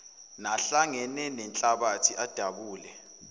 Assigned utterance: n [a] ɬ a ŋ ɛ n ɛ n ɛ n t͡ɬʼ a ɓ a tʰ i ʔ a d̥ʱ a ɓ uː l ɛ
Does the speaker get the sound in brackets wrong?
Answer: no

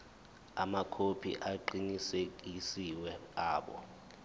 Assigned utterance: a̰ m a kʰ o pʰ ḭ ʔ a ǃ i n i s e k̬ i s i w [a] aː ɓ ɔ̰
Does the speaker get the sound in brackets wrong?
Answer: yes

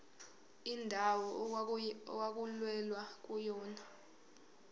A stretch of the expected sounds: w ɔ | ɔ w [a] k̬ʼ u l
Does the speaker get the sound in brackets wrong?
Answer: no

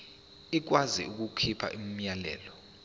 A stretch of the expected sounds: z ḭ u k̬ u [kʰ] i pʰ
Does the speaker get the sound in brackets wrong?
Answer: no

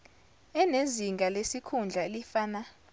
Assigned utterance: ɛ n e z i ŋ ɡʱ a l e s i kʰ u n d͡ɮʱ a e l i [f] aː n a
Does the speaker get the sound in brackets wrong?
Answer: no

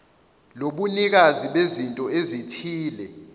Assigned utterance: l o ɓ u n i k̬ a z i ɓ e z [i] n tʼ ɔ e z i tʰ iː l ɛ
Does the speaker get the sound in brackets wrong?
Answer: no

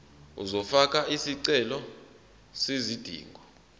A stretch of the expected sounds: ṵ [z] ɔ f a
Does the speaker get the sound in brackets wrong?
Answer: no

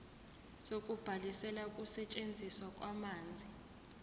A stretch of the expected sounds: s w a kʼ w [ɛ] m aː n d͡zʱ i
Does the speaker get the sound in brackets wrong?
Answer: yes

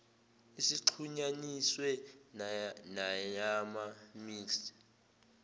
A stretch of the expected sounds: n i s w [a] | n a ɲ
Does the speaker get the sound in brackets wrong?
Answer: yes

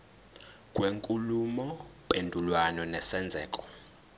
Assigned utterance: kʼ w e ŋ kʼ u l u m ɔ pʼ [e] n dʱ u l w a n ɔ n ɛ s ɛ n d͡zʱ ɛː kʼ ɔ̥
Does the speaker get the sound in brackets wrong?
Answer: no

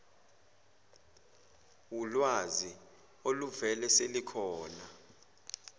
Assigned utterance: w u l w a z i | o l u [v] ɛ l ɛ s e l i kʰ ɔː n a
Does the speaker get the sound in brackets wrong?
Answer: no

